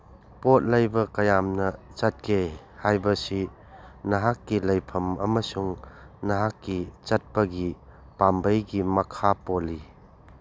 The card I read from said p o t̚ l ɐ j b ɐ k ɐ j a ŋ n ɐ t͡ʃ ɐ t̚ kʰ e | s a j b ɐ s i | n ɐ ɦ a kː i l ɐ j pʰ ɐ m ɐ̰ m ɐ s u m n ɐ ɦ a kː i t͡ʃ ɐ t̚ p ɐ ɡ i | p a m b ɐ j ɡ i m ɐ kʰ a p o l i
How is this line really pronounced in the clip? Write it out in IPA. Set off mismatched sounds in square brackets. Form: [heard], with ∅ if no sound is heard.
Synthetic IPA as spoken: p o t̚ l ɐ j b ɐ k ɐ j a [m] n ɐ t͡ʃ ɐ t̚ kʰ e | [h] a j b ɐ s i | n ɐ ɦ a kː i l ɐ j pʰ ɐ m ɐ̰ m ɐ s u [ŋ] n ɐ ɦ a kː i t͡ʃ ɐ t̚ p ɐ ɡ i | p a m b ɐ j ɡ i m ɐ kʰ a p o l i

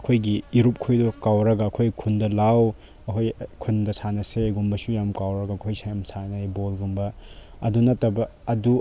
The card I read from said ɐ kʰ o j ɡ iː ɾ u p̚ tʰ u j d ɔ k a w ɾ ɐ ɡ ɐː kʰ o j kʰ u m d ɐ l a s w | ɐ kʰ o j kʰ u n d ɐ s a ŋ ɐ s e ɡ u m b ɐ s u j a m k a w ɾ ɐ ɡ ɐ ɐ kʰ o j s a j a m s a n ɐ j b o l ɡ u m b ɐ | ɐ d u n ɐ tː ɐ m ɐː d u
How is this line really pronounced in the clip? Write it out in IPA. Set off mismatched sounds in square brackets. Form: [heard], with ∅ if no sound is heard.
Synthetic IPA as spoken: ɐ kʰ o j ɡ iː ɾ u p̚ [kʰ] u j d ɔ k a w ɾ ɐ ɡ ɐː kʰ o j kʰ u [n] d ɐ l a [∅] w | ɐ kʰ o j kʰ u n d ɐ s a [n] ɐ s e ɡ u m b ɐ s u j a m k a w ɾ ɐ ɡ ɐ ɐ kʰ o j s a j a m s a n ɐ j b o l ɡ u m b ɐ | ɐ d u n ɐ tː ɐ [b] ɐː d u

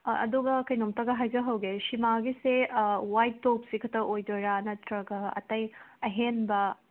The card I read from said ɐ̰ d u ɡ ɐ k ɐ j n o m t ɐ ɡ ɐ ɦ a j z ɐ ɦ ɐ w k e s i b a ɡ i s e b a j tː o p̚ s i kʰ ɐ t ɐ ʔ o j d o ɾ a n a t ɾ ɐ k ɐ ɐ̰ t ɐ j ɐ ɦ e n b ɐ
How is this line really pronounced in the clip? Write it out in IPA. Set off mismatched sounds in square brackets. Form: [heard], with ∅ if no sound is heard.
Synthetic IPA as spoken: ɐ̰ d u ɡ ɐ k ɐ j n o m t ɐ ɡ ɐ ɦ a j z ɐ ɦ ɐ w [ɡ] e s i [m] a ɡ i s e [w] a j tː o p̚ s i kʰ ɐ t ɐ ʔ o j d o ɾ a n [ɐ] t ɾ ɐ [ɡ] ɐ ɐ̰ t ɐ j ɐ ɦ e n b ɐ

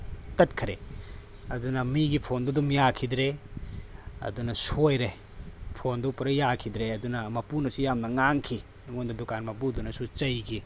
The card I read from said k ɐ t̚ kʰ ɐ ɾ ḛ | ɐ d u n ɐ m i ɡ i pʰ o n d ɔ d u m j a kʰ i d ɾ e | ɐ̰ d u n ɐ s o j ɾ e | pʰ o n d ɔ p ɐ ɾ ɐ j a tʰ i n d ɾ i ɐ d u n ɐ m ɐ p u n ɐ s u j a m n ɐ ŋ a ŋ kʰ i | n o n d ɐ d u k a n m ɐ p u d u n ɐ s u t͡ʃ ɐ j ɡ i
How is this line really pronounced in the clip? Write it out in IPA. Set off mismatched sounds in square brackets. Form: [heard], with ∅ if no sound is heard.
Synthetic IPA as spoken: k ɐ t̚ kʰ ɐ ɾ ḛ | ɐ d u n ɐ m i ɡ i pʰ o n d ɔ d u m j a kʰ i d ɾ e | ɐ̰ d u n ɐ s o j ɾ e | pʰ o n d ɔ p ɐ ɾ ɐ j a [kʰ] i [∅] d ɾ [e] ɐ d u n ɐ m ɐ p u n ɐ s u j a m n ɐ ŋ a ŋ kʰ i | [ŋ] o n d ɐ d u k a n m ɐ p u d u n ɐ s u t͡ʃ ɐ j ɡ i

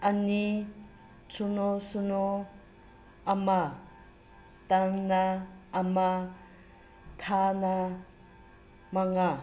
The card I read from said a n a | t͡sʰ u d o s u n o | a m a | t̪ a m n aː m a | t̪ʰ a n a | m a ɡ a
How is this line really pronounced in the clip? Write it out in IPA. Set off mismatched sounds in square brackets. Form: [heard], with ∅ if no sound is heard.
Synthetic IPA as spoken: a n [i] | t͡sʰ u [n] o s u n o | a m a | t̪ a [ŋ] n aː m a | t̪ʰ a n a | m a [ŋ] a

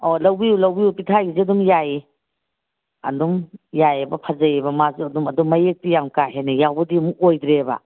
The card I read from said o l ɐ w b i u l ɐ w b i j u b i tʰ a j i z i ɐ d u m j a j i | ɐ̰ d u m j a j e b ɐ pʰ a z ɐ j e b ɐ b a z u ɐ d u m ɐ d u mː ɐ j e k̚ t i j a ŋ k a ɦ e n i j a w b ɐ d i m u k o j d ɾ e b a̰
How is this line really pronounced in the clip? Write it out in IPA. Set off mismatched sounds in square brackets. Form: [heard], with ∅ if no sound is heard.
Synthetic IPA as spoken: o l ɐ w b i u l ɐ w b i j u [p] i tʰ a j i z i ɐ d u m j a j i | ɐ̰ d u m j a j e b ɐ pʰ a z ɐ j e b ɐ [m] a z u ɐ d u m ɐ d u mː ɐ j e k̚ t i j a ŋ k a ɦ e n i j a w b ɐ d i m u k o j d ɾ e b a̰

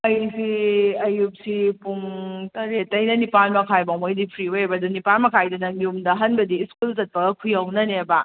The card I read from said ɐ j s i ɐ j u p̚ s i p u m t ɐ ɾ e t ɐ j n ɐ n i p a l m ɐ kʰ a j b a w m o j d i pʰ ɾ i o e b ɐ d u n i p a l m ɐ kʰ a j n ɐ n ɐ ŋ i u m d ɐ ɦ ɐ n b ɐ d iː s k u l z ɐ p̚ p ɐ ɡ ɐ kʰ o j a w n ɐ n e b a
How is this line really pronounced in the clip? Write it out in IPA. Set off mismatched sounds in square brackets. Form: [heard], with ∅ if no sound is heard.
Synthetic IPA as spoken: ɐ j s i ɐ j u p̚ s i p u [ŋ] t ɐ ɾ e t ɐ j n ɐ n i p a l m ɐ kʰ a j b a w m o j d i pʰ ɾ i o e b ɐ d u n i p a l m ɐ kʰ a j [d] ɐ n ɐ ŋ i u m d ɐ ɦ ɐ n b ɐ d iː s k u l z ɐ [t̚] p ɐ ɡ ɐ kʰ [u] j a w n ɐ n e b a

